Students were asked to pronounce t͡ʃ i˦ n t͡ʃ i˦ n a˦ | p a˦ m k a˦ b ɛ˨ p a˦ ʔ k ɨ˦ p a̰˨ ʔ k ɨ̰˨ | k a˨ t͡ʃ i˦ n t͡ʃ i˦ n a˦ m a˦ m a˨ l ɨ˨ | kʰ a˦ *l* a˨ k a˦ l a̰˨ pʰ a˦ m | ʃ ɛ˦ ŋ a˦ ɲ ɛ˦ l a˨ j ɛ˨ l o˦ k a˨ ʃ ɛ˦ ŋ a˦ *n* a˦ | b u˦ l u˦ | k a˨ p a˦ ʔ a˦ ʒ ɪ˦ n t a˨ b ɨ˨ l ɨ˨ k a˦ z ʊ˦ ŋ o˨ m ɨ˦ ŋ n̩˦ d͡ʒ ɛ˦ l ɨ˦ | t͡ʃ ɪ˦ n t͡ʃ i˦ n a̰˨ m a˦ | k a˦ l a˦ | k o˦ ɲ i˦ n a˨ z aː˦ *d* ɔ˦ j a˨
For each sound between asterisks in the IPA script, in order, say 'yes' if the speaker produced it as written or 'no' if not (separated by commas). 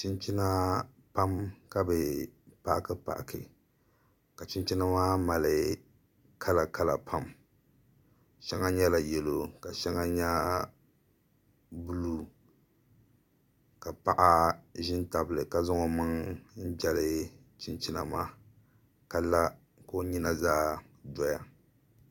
yes, no, yes